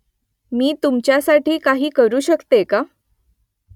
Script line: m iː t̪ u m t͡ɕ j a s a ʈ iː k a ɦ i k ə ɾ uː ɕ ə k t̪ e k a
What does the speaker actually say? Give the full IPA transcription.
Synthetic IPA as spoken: m iː t̪ u m t͡ɕ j a s a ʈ iː k a ɦ iː k ə ɾ uː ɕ ə k t̪ e k a